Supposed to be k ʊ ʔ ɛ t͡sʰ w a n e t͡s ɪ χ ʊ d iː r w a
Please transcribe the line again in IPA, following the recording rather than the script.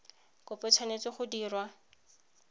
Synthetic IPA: k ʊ p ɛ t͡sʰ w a n e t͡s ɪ χ ʊ d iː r w a